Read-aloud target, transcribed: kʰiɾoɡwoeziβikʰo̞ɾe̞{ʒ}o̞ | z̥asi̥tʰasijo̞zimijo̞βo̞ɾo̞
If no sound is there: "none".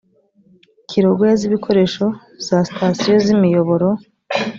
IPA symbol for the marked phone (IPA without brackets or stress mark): ʃ